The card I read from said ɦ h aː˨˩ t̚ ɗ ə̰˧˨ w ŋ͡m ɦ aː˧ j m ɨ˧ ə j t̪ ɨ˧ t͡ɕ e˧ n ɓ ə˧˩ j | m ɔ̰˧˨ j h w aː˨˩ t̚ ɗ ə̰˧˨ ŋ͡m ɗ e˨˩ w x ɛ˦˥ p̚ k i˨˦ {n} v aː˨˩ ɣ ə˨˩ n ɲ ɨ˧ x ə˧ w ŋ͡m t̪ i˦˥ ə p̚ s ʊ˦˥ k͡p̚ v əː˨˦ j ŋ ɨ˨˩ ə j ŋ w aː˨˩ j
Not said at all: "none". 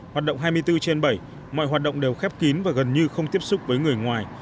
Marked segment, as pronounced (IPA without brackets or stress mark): n